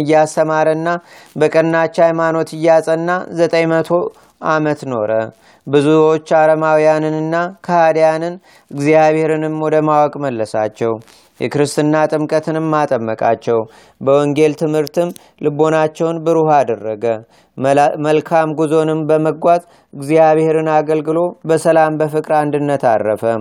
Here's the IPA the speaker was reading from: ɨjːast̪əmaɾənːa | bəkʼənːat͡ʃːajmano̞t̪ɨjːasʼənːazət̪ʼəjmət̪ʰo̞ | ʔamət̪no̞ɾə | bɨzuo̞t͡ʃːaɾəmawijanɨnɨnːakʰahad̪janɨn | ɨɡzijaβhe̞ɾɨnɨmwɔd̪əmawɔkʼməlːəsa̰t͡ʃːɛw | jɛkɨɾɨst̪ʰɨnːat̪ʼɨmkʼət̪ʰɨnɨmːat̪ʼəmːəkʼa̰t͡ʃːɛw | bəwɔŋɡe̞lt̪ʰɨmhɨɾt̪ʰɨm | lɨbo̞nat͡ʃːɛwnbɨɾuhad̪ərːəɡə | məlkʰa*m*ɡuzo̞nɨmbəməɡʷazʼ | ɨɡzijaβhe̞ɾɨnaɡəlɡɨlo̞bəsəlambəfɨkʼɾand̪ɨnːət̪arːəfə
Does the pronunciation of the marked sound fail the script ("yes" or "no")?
no